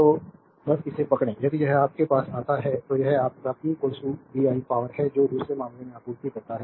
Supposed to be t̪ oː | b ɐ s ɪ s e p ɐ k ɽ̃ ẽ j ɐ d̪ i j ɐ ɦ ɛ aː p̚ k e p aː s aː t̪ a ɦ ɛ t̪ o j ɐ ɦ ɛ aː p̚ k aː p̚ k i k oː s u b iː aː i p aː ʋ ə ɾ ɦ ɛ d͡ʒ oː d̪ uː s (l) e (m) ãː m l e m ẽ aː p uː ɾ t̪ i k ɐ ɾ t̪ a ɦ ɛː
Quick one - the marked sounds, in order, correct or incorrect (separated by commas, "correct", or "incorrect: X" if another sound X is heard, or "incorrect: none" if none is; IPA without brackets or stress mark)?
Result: incorrect: ɾ, correct